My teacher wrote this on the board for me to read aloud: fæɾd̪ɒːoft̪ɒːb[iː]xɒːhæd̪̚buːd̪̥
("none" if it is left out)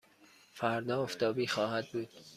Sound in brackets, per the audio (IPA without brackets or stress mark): iː